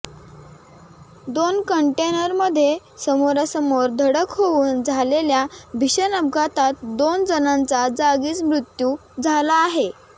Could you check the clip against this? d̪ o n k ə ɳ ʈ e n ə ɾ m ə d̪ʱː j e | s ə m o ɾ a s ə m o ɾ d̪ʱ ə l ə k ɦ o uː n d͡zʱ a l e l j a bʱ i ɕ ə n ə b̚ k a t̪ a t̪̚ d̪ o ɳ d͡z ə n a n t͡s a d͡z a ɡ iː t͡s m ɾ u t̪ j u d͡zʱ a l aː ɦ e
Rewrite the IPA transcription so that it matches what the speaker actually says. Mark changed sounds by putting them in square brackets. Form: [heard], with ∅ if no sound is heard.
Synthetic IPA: d̪ o n k ə ɳ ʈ e n ə ɾ m ə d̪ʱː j e | s ə m o ɾ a s ə m o ɾ d̪ʱ ə [ɽ] ə k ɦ o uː n d͡zʱ a l e l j a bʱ i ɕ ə n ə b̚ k a t̪ a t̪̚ d̪ o [n] d͡z ə n a n t͡s a d͡z a ɡ iː t͡s m ɾ u t̪ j u d͡zʱ a l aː ɦ e